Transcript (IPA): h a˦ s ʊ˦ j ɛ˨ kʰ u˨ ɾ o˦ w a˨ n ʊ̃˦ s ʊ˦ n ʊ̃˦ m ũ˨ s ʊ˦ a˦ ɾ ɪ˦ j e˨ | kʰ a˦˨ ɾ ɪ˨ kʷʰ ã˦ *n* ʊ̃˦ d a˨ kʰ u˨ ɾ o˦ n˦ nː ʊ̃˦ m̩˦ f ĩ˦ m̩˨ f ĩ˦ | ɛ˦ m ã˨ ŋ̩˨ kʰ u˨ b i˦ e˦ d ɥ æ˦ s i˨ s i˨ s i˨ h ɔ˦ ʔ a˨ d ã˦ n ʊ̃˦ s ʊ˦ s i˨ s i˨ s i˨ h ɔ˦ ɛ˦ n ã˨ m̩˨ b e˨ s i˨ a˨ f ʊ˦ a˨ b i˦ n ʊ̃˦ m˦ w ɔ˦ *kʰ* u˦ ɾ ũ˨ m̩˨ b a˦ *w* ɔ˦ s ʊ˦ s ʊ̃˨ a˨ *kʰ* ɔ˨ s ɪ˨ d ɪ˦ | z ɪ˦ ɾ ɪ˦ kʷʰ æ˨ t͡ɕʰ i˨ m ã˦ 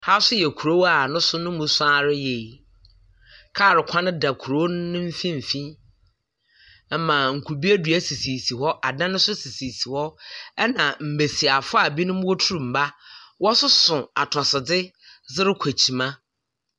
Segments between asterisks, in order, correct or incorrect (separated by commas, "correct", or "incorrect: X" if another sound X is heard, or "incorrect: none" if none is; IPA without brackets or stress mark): correct, incorrect: tʰ, correct, incorrect: tʰ